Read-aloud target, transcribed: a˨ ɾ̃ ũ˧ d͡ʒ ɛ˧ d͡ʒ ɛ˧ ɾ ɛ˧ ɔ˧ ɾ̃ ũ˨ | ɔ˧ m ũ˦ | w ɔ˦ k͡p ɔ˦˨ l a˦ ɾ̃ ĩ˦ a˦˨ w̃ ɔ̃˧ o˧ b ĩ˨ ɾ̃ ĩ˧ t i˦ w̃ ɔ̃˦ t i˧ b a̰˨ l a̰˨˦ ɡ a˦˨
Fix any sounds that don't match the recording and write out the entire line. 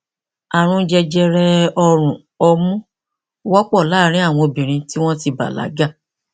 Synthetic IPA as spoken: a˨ ɾ̃ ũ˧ d͡ʒ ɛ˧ d͡ʒ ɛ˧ ɾ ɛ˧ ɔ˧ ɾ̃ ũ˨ | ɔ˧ m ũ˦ | w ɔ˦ k͡p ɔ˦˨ l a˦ ɾ̃ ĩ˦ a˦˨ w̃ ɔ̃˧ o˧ b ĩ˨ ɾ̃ ĩ˧ t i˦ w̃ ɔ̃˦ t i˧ b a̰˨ l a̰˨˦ ɡ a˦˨

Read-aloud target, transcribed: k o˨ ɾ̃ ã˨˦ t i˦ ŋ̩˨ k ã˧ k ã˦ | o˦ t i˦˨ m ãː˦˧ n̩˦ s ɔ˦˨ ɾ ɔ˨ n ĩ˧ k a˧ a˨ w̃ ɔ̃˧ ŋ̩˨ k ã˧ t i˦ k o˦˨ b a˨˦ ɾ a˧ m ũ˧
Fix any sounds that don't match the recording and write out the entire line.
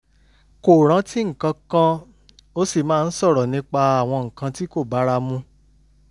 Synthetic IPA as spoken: k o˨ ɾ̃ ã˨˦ t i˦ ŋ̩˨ k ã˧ k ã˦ | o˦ s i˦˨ m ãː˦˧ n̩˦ s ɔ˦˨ ɾ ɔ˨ n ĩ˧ k͡p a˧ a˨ w̃ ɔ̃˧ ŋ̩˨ k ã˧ t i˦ k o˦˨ b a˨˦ ɾ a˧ m ũ˧

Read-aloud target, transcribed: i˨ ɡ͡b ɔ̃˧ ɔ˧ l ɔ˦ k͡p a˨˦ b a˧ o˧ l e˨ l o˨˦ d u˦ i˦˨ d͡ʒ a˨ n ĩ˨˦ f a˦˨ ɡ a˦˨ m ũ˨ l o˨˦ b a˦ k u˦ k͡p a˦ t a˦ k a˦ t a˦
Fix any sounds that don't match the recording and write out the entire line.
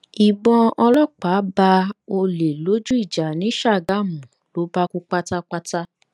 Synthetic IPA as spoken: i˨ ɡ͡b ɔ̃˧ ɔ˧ l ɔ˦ k͡p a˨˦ b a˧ o˧ l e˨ l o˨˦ d͡ʒ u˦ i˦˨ d͡ʒ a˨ n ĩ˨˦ ʃ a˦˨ ɡ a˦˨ m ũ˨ l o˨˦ b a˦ k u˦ k͡p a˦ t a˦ k͡p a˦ t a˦

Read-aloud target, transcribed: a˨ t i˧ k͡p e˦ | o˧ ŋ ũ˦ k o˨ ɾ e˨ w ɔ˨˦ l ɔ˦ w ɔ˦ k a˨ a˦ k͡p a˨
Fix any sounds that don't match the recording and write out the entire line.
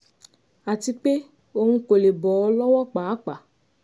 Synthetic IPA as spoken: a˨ t i˧ k͡p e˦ | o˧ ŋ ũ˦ k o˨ l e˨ b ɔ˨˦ l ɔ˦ w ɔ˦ k͡p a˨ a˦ k͡p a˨

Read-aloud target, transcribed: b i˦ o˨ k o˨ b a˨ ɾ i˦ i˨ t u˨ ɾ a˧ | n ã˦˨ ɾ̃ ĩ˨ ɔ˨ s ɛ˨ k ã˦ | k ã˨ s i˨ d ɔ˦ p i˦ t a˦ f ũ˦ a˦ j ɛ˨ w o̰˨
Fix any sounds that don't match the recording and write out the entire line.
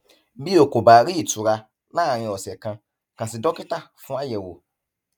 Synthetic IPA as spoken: b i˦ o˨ k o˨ b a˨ ɾ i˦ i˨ t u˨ ɾ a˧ | n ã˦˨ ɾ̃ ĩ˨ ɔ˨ s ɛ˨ k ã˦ | k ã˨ s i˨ d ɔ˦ k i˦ t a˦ f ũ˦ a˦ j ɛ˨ w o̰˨

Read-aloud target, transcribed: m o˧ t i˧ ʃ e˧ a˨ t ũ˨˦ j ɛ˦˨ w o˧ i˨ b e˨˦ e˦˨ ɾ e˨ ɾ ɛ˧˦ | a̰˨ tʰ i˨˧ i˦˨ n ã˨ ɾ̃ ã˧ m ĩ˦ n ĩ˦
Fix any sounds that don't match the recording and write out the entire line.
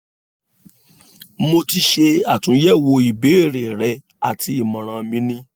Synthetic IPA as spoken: m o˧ t i˧ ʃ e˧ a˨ t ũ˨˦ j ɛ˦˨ w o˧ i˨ b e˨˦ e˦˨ ɾ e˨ ɾ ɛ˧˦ | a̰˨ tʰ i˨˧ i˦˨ m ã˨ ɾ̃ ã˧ m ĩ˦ n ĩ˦

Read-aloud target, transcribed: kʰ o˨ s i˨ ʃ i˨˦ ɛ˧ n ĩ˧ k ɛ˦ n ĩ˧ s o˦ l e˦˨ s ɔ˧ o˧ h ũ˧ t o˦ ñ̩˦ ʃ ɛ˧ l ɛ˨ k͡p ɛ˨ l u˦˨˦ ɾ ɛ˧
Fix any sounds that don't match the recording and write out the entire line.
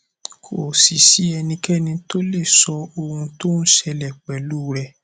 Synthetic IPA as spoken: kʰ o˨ s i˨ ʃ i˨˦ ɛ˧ n ĩ˧ k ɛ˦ n ĩ˧ t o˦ l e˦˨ s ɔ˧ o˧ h ũ˧ t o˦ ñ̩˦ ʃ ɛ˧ l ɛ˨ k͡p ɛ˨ l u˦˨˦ ɾ ɛ˧

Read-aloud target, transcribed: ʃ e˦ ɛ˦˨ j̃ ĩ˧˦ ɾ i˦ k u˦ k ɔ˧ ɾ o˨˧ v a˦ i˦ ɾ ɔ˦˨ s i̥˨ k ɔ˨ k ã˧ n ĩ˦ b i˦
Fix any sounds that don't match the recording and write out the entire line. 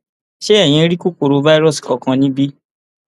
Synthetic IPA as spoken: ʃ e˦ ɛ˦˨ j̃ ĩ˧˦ ɾ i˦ k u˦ k o˧ ɾ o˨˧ v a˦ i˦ ɾ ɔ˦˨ s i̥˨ k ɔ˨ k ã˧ n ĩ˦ b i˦

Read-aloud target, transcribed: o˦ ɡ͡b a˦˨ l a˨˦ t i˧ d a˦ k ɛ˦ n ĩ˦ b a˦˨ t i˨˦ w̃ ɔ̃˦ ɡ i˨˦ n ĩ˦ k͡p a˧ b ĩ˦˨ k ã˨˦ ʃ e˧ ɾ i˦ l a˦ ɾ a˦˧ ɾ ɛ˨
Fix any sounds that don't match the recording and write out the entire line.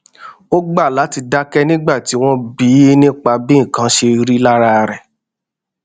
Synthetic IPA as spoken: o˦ ɡ͡b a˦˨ l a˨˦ t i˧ d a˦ k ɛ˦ n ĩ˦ ɡ͡b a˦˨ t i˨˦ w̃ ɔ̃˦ b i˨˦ n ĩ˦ k͡p a˧ b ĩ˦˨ k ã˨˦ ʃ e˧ ɾ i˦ l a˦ ɾ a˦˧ ɾ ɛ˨

